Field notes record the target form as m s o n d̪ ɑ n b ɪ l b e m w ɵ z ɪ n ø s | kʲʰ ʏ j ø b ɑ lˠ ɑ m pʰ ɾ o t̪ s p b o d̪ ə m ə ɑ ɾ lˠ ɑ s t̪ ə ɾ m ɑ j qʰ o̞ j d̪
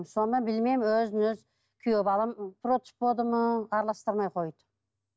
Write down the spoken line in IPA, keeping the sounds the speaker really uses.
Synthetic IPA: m s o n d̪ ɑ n b ɪ l m e m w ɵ z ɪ n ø z | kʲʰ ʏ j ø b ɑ lˠ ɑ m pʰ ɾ o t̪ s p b o d̪ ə m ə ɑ ɾ lˠ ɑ s t̪ ə ɾ m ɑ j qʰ o̞ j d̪